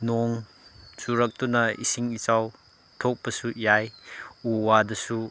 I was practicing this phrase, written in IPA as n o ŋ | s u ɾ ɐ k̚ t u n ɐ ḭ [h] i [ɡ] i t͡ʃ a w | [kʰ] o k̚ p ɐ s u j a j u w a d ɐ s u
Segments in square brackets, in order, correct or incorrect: incorrect: s, incorrect: ŋ, incorrect: tʰ

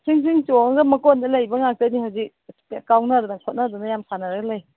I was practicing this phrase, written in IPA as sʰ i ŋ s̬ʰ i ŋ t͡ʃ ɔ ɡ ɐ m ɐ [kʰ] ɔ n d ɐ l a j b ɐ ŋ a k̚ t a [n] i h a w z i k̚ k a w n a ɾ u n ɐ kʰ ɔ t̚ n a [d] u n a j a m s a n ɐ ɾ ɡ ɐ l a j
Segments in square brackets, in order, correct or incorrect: incorrect: k, correct, correct

